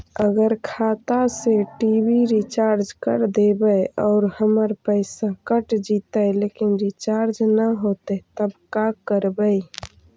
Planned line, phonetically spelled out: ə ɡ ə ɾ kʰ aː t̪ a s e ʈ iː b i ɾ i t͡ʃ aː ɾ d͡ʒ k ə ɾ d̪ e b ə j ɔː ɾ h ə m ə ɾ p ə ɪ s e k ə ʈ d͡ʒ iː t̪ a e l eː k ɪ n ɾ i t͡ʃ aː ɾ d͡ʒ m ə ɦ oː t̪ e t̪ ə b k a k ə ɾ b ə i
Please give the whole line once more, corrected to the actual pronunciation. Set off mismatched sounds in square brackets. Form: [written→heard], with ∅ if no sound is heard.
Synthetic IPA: ə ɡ ə ɾ kʰ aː t̪ a s e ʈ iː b i ɾ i t͡ʃ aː ɾ d͡ʒ k ə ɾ d̪ e b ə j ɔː ɾ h ə m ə ɾ p ə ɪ s [e→a] k ə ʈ d͡ʒ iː t̪ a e l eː k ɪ n ɾ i t͡ʃ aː ɾ d͡ʒ [m→n] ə ɦ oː t̪ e t̪ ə b k a k ə ɾ b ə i

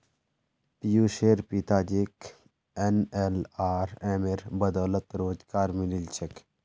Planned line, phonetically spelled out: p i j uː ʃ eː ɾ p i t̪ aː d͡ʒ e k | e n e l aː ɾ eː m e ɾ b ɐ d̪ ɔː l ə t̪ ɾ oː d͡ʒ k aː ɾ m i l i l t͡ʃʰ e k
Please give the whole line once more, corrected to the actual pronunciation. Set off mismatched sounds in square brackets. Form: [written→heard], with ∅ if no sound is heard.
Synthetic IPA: p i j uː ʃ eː ɾ p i t̪ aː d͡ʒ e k | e n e l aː ɾ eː m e ɾ b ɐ d̪ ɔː l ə t̪ ɾ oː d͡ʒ k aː ɾ m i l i l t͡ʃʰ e k

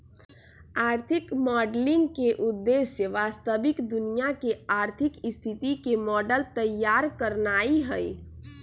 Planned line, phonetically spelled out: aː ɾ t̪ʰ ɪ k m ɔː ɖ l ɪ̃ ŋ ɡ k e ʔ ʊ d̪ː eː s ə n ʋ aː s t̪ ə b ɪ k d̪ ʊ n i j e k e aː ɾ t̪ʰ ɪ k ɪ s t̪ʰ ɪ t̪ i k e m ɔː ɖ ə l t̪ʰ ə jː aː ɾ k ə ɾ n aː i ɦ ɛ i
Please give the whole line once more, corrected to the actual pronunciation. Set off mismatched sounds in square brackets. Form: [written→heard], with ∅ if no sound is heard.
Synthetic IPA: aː ɾ t̪ʰ ɪ k m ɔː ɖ l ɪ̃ ŋ ɡ k e ʔ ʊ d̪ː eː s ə [n→∅] ʋ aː s t̪ ə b ɪ k d̪ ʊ n i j [e→a] k e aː ɾ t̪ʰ ɪ k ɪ s t̪ʰ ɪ t̪ i k e m ɔː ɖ ə l [t̪ʰ→t̪] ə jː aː ɾ k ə ɾ n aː i ɦ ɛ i

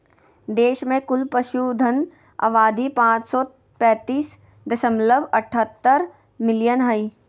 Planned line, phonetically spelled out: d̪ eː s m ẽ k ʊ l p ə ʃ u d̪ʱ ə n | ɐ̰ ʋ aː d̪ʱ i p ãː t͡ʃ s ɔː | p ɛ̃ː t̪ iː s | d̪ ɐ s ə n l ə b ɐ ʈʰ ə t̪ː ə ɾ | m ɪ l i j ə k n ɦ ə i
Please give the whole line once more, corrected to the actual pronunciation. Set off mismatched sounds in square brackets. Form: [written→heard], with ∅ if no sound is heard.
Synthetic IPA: d̪ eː [s→ʃ] m ẽ k ʊ l p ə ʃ u d̪ʱ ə n | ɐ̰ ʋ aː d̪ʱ i p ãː t͡ʃ s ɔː | p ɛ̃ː t̪ iː s | d̪ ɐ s ə [n→m] l ə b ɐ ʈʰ ə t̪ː ə ɾ | m ɪ l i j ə [k→∅] n ɦ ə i

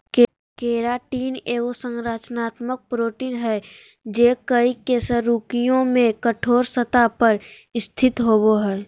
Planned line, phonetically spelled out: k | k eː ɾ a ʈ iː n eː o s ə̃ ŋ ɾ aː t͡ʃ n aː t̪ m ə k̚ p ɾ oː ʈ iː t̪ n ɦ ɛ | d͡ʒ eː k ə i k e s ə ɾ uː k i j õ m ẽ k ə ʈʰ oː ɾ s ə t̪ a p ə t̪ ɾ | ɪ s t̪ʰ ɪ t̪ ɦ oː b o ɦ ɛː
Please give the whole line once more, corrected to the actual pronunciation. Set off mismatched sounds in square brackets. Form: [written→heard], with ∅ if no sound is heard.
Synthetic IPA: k | k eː ɾ a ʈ iː n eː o s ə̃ ŋ ɾ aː t͡ʃ n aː t̪ m ə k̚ p ɾ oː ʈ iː [t̪→∅] n ɦ ɛ | d͡ʒ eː k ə i k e s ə ɾ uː k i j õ m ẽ k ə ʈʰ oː ɾ s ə t̪ a p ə [t̪→∅] ɾ | ɪ s t̪ʰ ɪ t̪ ɦ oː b o ɦ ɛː

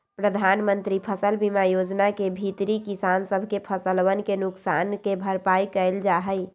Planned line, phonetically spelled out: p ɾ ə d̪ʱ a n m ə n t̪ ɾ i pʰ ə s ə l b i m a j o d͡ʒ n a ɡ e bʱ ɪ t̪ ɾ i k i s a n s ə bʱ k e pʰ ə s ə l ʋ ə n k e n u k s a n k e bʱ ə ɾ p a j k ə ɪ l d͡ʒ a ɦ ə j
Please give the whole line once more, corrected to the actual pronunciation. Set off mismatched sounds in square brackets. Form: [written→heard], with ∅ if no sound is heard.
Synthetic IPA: p ɾ ə d̪ʱ a n m ə n t̪ ɾ i pʰ ə s ə l b i m a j o d͡ʒ n a [ɡ→k] e bʱ [ɪ→i] t̪ ɾ i k i s a n s ə bʱ k e pʰ ə s ə l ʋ ə n k e n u k s a n k e bʱ ə ɾ p a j k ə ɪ l d͡ʒ a ɦ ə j

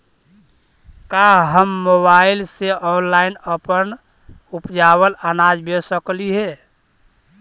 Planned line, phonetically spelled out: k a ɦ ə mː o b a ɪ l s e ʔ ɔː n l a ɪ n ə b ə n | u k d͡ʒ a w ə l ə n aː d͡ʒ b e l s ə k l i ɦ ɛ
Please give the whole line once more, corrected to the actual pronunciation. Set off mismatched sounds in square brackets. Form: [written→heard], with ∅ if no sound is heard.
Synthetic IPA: k a ɦ ə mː o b a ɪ l s e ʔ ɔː n l a ɪ n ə [b→p] ə n | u [k→p] d͡ʒ a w ə l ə n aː d͡ʒ b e [l→∅] s ə k l i ɦ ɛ

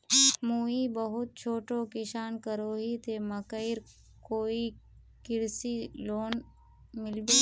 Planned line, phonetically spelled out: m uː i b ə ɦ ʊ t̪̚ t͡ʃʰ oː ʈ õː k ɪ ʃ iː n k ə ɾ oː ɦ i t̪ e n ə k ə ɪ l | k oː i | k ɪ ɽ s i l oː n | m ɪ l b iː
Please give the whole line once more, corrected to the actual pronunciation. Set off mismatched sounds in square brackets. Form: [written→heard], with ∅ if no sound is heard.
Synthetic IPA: m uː i b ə ɦ ʊ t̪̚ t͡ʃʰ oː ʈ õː k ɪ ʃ [iː→aː] n k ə ɾ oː ɦ i t̪ e [n→m] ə k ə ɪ [l→ɾ] | k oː i | k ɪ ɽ s i l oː n | m ɪ l b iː

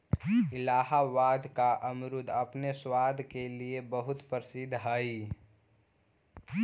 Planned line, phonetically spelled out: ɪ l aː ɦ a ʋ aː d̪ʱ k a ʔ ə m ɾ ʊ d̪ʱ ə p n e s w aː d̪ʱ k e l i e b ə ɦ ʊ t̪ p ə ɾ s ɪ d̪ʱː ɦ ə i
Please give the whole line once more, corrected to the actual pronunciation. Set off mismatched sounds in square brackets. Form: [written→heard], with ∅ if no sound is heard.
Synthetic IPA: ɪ l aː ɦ a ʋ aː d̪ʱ k a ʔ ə m ɾ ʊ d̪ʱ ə p n e s w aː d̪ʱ k e l i e b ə ɦ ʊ t̪ p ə ɾ s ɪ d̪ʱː ɦ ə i

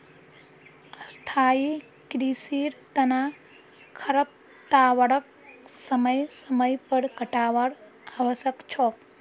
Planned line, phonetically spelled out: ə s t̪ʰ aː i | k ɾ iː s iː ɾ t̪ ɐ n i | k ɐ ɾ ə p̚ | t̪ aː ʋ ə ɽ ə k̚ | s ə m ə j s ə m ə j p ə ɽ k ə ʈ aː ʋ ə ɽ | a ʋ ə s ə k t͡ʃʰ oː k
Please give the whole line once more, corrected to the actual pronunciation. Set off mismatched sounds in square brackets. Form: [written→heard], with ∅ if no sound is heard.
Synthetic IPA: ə s t̪ʰ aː i | k ɾ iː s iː ɾ t̪ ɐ n [i→a] | [k→kʰ] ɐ ɾ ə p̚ | t̪ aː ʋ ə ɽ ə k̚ | s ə m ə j s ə m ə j p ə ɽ k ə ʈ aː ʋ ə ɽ | a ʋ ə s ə k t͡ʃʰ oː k

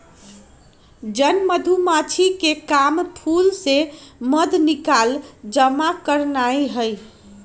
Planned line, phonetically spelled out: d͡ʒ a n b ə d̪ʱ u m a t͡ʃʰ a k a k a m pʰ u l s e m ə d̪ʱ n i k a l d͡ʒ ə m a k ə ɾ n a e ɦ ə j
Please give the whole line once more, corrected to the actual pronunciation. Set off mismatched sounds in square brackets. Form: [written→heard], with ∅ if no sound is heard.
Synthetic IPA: d͡ʒ [a→ə] n [b→m] ə d̪ʱ u m a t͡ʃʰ [a→i] k [a→e] k a m pʰ u l s e m ə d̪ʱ n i k a l d͡ʒ ə m a k ə ɾ n a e ɦ ə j

